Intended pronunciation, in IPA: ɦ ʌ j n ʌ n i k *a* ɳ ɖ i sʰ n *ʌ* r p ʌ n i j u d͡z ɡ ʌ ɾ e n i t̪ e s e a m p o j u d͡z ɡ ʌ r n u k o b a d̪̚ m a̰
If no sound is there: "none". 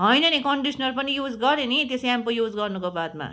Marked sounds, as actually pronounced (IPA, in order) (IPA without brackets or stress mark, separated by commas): ʌ, ʌ